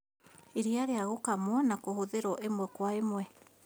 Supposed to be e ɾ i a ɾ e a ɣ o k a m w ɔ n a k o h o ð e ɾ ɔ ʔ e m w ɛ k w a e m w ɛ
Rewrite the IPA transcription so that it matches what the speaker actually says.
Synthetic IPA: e ɾ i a ɾ e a ɣ o k a m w ɔ n a k o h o ð e ɾ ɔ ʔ e m w ɛ k w a e m w ɛ

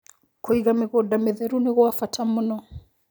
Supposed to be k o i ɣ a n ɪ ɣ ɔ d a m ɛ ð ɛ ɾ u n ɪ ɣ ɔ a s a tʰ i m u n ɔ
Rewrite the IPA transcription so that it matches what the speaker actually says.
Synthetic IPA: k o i ɣ a m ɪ ɣ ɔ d a m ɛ ð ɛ ɾ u n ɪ ɣ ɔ a f a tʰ a m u n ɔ

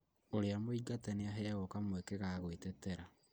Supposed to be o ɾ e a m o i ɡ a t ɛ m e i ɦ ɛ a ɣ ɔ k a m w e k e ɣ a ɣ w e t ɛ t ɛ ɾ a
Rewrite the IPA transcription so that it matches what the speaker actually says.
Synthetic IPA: o ɾ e a m o i ɡ a t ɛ n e a ɦ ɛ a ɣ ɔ k a m w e k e ɣ a ɣ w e t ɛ t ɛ ɾ a

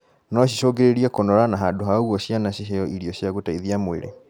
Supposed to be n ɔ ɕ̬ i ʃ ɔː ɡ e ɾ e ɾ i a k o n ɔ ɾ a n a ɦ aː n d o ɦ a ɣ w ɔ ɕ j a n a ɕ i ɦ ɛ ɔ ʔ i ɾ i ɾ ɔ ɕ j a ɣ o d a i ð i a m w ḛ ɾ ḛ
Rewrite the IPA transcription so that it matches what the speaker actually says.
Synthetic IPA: n ɔ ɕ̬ i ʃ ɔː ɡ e ɾ e ɾ i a k o n ɔ ɾ a n a ɦ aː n d o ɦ a ɣ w ɔ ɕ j a n a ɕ i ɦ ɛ ɔ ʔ i ɾ i ɔ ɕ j a ɣ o t a i ð i a m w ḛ ɾ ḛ

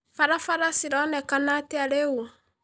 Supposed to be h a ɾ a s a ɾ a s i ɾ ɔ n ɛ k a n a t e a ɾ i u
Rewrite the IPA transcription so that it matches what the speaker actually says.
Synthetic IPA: f a ɾ a f a ɾ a s i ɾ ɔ n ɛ k a n a t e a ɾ e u

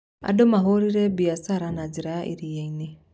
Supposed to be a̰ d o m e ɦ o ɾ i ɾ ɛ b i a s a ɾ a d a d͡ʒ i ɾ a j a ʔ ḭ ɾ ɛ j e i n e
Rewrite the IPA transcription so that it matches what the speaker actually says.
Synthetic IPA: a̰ d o m a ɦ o ɾ i ɾ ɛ b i a s a ɾ a n a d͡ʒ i ɾ a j a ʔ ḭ ɾ i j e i n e

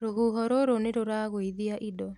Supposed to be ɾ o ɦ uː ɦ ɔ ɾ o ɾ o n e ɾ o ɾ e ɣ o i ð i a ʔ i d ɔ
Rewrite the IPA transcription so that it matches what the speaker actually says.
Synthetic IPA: ɾ o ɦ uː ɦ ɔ ɾ o ɾ o n e ɾ o ɾ a ɣ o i ð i a ʔ i d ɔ

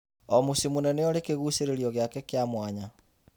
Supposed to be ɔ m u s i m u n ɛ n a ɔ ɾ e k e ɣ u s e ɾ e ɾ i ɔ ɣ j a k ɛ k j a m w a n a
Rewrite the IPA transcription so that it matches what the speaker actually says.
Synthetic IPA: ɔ m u s i m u n ɛ n ɛ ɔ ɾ e k e ɣ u s e ɾ e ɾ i ɔ ɣ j a k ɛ k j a m w a ɲ a

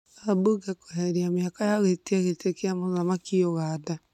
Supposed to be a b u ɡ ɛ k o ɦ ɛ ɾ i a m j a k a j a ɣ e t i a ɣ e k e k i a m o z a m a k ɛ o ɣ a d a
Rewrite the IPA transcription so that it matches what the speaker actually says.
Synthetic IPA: a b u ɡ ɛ k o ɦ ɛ ɾ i a m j a k a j a ɣ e t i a ɣ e t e k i a m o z a m a k i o ɣ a d a

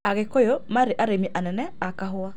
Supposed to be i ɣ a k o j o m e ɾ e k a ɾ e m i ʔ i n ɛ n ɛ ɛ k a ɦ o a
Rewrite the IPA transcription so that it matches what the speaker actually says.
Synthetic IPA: a ɣ e k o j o m a ɾ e ʔ a ɾ e m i ʔ a n ɛ n ɛ a k a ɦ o a

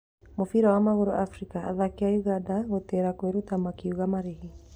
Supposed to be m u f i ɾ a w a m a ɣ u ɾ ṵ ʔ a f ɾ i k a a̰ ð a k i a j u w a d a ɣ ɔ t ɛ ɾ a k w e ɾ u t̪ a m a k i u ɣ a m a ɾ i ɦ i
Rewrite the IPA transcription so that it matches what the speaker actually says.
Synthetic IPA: m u f i ɾ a w a m a ɣ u ɾ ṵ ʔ a f ɾ i k a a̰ ð a k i a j u ɣ a d a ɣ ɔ t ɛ ɾ a k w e ɾ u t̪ a m a k i u ɣ a m a ɾ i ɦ i

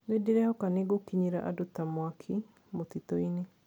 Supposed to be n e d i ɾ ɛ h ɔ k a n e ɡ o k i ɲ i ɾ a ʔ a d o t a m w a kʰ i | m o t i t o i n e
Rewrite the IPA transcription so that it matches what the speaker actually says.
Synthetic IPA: n e d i ɾ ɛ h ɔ k a n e ɡ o k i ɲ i ɾ a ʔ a d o t a m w a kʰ i | m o t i t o i n e

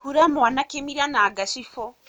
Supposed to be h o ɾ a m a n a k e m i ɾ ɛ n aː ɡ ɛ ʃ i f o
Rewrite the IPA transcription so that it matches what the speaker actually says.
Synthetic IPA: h u ɾ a m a n a k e m i ɾ a n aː ɡ a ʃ i f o

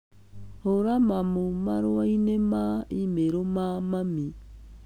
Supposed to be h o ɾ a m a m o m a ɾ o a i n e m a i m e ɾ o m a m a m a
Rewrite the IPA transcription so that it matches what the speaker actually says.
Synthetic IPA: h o ɾ a m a m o m a ɾ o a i n e m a i m e ɾ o m a m a m i

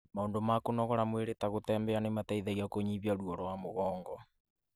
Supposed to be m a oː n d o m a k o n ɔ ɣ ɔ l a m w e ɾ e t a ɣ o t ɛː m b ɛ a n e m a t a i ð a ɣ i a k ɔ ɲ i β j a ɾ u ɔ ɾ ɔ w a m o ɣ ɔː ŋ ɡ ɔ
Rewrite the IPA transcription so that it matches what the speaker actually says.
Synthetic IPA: m a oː n d o m a k o n ɔ ɣ ɔ ɾ a m w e ɾ e t a ɣ o t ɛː m b ɛ a n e m a t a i ð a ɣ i a k o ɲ i β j a ɾ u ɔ ɾ ɔ w a m o ɣ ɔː ŋ ɡ ɔ

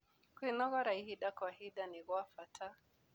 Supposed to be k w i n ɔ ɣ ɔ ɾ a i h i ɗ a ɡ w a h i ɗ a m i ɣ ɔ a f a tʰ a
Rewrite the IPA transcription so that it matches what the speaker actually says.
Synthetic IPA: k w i n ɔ ɣ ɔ ɾ a i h i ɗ a k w a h i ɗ a n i ɣ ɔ a f a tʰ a

